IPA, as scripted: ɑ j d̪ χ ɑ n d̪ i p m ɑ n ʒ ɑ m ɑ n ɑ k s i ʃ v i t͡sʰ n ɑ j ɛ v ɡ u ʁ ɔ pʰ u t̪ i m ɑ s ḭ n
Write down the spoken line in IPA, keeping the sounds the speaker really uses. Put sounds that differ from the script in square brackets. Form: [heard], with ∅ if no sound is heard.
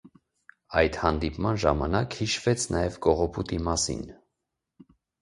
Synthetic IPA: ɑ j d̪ [h] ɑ n d̪ i p m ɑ n ʒ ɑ m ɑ n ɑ k [h] i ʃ v [ɛ] t͡sʰ n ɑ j ɛ v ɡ [ɔ] ʁ ɔ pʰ u t̪ i m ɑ s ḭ n

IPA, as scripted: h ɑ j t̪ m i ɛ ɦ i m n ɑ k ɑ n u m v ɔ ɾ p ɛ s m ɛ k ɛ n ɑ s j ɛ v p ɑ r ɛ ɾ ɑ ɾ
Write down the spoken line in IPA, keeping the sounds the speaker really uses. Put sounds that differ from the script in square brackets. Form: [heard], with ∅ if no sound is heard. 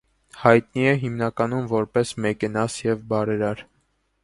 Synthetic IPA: h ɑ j t̪ [n] i ɛ ɦ i m n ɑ k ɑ n u m v ɔ ɾ p ɛ s m ɛ k ɛ n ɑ s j ɛ v [b] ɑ [ɾ] ɛ ɾ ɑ ɾ

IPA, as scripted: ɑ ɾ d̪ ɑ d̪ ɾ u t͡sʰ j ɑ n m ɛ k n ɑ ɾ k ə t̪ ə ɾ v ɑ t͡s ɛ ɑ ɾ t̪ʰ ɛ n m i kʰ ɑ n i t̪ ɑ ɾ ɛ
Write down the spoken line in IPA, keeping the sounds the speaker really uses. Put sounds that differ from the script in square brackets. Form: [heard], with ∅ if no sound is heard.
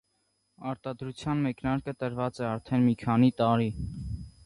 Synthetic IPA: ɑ ɾ [t̪] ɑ d̪ ɾ u t͡sʰ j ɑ n m ɛ k n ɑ ɾ k ə t̪ ə ɾ v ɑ t͡s ɛ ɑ ɾ t̪ʰ ɛ n m i kʰ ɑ n i t̪ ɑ ɾ [i]

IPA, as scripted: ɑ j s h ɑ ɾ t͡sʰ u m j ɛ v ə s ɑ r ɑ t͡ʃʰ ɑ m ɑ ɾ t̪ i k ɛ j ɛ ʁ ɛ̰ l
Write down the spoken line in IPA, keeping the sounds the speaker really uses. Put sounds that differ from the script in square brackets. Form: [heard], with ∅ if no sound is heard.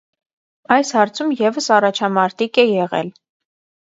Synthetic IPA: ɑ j s h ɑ ɾ t͡sʰ u m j ɛ v ə s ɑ r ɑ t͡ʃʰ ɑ m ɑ ɾ t̪ i k ɛ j ɛ ʁ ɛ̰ l

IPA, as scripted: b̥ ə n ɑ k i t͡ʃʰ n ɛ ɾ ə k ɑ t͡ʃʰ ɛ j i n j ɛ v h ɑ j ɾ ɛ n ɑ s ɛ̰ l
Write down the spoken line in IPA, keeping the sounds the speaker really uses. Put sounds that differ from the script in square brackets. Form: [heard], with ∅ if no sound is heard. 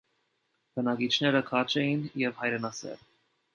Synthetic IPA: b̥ ə n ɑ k i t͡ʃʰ n ɛ ɾ ə [kʰ] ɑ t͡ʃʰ ɛ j i n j ɛ v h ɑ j ɾ ɛ n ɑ s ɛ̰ l

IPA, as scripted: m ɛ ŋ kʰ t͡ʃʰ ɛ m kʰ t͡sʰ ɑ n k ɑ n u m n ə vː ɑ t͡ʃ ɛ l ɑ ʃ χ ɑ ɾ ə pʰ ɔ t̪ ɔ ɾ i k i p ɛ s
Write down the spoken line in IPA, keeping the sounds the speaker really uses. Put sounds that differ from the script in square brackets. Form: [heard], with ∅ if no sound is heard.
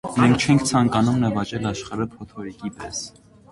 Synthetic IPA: m ɛ ŋ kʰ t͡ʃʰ ɛ [ŋ] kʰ t͡sʰ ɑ [ŋ] k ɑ n u m n ə [v] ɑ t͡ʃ ɛ l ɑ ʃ χ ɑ ɾ ə pʰ ɔ [t̪ʰ] ɔ ɾ i k i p ɛ s

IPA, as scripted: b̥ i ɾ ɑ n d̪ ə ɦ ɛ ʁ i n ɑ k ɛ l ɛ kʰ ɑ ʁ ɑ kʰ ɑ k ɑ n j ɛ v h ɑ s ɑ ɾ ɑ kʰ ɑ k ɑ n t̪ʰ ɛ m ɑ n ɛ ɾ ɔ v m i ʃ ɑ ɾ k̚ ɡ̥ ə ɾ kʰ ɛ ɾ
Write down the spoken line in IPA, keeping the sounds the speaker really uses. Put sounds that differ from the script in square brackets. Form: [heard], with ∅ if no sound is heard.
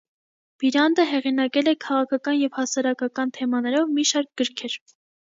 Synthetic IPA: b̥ i ɾ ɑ n d̪ ə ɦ ɛ ʁ i n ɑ k ɛ l ɛ kʰ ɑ ʁ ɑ kʰ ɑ k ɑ n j ɛ v h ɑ s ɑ ɾ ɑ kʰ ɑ k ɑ n t̪ʰ ɛ m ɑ n ɛ ɾ ɔ v m i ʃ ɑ ɾ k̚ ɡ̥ ə ɾ kʰ ɛ ɾ

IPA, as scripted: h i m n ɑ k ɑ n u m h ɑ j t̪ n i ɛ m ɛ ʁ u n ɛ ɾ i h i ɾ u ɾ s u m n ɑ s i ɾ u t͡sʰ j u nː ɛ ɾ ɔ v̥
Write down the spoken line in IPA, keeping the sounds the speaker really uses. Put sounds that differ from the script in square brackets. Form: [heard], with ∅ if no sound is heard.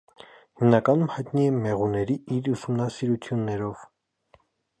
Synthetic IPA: h i m n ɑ k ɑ n u m h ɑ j t̪ n i ɛ m ɛ ʁ u n ɛ ɾ i [∅] i ɾ u [∅] s u m n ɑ s i ɾ u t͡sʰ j u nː ɛ ɾ ɔ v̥

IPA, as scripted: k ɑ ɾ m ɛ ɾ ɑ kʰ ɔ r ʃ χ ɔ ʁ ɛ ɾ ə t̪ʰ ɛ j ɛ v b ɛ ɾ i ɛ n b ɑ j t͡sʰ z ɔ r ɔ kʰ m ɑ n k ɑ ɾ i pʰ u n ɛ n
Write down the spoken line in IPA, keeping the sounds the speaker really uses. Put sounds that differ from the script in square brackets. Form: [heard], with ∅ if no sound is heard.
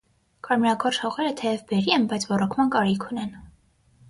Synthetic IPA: k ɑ ɾ m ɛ ɾ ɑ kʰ ɔ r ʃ [h] ɔ ʁ ɛ ɾ ə t̪ʰ ɛ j ɛ v b ɛ ɾ i ɛ n b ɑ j t͡sʰ [v] ɔ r ɔ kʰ m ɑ n k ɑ ɾ i [kʰ] u n ɛ n

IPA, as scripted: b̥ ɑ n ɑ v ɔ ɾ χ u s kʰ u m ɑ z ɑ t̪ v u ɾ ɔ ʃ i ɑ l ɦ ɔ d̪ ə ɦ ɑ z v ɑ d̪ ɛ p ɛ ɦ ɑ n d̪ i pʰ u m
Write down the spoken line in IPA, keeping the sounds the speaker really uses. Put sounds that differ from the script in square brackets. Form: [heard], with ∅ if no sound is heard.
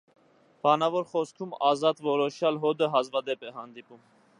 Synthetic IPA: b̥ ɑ n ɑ v ɔ ɾ χ [ɔ] s kʰ u m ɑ z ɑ t̪ v [ɔ] ɾ ɔ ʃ [j] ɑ l ɦ ɔ d̪ ə ɦ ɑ z v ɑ d̪ ɛ p ɛ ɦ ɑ n d̪ i [p] u m

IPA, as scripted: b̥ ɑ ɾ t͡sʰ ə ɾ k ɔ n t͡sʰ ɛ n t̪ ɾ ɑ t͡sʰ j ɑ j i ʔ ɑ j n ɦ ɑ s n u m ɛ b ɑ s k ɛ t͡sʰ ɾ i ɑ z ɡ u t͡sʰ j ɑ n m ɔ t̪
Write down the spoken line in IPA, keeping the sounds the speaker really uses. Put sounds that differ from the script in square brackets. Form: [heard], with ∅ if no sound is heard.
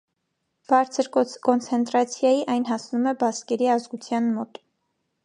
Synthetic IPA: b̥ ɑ ɾ t͡sʰ ə ɾ k ɔ n t͡sʰ ɛ n t̪ ɾ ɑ t͡sʰ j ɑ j i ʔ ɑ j n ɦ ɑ s n u m ɛ b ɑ s k ɛ [∅] ɾ i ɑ z ɡ u t͡sʰ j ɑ n m ɔ t̪

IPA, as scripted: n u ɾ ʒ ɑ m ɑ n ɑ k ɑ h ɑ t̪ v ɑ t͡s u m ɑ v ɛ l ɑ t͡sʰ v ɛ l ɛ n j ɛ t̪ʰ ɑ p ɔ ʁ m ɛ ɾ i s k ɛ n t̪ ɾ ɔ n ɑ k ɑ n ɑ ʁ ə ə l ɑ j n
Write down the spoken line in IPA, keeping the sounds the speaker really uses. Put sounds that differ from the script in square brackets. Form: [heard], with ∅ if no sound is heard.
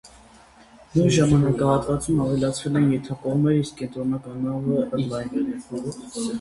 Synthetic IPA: n u ɾ ʒ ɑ m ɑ n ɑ k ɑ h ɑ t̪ v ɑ t͡s u m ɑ v ɛ l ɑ t͡sʰ v ɛ l ɛ n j ɛ t̪ʰ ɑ [k] ɔ ʁ m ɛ ɾ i s k ɛ n t̪ ɾ ɔ n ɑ k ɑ n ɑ [v] ə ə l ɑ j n

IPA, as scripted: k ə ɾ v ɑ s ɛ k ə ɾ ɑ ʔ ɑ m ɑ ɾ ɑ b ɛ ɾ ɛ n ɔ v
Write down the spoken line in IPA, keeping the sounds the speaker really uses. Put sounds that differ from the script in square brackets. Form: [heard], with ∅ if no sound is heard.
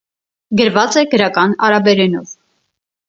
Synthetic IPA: [ɡ] ə ɾ v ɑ [t͡s] ɛ [ɡ] ə ɾ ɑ [k] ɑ [n] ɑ ɾ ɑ b ɛ ɾ ɛ n ɔ v

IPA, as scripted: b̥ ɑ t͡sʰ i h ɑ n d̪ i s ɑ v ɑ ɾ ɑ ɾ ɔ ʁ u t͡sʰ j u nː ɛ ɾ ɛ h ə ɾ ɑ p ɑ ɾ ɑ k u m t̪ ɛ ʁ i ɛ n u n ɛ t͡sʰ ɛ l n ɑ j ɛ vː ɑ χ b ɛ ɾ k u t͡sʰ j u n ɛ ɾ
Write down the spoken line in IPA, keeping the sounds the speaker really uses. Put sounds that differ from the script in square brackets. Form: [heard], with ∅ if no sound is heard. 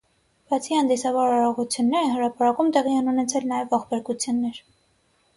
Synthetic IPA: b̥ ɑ t͡sʰ i h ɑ n d̪ i s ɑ v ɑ ɾ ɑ ɾ ɔ ʁ u t͡sʰ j u nː ɛ ɾ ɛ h ə ɾ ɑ p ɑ ɾ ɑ k u m t̪ ɛ ʁ i ɛ n u n ɛ t͡sʰ ɛ l n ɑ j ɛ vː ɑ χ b ɛ ɾ k u t͡sʰ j u [nː] ɛ ɾ

